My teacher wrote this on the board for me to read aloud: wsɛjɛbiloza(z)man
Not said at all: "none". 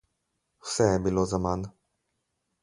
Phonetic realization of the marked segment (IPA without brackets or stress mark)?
none